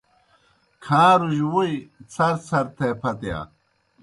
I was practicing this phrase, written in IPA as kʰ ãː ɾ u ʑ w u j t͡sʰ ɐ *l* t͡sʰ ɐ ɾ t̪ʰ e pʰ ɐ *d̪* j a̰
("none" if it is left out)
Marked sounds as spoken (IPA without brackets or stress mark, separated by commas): ɾ, t̪